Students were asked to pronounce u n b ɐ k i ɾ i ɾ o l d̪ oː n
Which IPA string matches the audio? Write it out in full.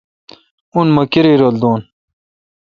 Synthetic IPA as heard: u n m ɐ k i ɾ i ɾ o l d̪ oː n